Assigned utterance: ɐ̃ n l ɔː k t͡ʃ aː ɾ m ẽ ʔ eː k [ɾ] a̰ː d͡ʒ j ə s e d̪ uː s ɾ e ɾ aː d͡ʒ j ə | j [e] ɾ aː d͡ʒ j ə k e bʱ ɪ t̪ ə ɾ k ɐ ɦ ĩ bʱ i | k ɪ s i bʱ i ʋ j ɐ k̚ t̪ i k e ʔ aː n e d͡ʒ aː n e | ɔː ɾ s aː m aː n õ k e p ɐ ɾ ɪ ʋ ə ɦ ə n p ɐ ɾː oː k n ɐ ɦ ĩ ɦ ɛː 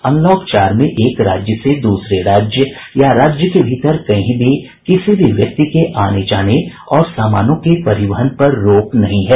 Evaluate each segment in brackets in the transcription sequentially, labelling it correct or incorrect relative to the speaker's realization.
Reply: correct, incorrect: a

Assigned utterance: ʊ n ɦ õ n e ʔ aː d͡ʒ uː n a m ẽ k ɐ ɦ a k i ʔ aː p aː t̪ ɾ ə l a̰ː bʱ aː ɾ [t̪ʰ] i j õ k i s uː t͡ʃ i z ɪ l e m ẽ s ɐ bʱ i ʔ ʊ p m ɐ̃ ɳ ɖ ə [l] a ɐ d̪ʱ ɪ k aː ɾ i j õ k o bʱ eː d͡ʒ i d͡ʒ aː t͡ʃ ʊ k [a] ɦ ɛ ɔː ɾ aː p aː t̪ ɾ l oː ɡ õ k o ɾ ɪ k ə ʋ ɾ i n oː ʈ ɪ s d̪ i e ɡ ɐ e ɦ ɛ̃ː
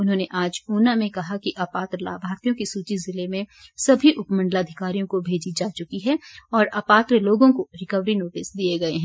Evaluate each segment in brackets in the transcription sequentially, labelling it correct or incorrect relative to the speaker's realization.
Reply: incorrect: t̪, correct, incorrect: i

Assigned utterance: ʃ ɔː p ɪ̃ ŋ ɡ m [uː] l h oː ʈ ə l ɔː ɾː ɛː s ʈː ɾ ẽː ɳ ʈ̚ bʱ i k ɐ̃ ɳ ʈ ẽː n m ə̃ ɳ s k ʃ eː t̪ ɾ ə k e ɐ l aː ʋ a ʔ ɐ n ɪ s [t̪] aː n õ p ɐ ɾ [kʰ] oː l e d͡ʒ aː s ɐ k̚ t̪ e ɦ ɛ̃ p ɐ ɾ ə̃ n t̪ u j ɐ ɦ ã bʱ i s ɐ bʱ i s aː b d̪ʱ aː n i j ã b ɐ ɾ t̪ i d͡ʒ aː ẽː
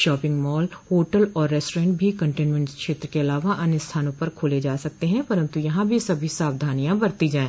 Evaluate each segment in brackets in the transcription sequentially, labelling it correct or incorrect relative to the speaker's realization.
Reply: incorrect: ɔː, incorrect: t̪ʰ, correct

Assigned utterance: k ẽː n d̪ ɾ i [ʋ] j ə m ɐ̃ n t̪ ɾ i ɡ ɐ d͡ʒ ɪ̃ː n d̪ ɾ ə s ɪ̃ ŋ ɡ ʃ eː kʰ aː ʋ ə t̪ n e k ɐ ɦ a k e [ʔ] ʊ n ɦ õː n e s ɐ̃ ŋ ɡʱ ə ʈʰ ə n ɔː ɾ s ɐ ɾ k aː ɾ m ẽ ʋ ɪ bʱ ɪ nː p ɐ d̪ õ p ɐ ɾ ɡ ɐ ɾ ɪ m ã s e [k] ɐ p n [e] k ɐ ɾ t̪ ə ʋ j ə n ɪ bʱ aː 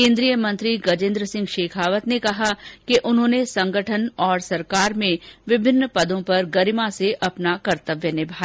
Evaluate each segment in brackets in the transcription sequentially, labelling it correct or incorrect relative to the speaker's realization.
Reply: incorrect: none, correct, incorrect: ʔ, incorrect: a

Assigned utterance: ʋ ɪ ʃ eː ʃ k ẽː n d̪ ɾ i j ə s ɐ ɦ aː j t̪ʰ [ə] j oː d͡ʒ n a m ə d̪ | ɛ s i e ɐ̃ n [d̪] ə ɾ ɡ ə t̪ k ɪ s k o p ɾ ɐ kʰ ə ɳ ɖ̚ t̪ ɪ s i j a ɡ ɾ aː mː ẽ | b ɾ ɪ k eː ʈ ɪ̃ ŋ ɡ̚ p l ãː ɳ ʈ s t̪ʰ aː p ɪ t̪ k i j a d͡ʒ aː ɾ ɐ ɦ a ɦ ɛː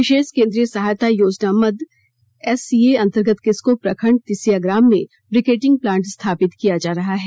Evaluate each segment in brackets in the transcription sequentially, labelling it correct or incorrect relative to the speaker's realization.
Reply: incorrect: a, incorrect: t̪

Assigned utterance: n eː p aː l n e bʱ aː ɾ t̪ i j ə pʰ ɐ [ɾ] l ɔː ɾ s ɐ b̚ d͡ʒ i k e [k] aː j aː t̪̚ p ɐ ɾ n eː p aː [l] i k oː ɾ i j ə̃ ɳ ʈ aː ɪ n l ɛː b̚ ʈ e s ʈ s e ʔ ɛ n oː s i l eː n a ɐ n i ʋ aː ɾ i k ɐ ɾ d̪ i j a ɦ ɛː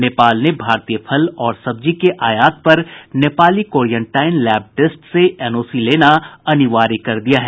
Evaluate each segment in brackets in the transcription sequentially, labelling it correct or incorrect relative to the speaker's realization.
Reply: incorrect: none, incorrect: ʔ, correct

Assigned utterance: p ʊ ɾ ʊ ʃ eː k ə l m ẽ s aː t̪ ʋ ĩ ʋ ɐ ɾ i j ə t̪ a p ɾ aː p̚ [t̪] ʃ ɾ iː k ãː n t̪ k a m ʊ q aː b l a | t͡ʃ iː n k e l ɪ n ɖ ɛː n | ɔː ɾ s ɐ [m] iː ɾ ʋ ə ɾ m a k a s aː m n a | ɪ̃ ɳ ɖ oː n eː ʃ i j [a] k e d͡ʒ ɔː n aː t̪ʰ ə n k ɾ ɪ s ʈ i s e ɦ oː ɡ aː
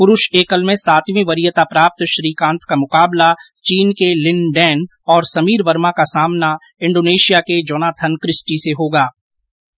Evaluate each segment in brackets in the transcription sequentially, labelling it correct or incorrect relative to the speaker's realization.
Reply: correct, correct, correct

